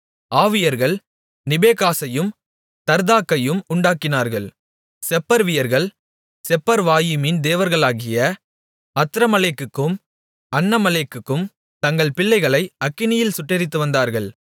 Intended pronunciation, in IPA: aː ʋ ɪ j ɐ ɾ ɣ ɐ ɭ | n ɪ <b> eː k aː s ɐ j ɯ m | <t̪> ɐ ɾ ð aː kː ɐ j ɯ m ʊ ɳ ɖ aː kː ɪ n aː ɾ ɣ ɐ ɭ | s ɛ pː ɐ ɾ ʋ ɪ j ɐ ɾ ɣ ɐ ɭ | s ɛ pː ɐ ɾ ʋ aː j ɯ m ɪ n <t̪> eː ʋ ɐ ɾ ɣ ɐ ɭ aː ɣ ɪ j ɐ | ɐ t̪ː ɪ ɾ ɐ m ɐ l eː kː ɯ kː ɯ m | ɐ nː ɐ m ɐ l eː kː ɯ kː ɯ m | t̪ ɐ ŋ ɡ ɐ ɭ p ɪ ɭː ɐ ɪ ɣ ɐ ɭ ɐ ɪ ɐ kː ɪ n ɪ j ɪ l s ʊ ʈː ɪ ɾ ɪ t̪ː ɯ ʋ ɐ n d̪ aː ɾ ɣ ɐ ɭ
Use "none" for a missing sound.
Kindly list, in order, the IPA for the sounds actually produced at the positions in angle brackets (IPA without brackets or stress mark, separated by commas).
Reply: b, t̪, d̪